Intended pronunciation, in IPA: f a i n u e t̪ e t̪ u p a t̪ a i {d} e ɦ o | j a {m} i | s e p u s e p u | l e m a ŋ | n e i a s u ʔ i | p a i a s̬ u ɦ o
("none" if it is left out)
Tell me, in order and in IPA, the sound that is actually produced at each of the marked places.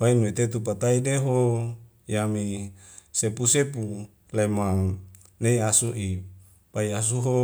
d, m

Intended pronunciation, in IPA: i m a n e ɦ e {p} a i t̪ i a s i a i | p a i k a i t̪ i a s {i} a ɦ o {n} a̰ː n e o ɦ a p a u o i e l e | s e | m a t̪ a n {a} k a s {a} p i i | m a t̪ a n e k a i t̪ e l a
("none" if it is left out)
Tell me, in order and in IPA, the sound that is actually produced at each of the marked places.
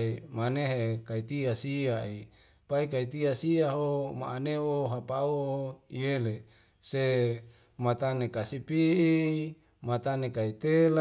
k, i, m, e, i

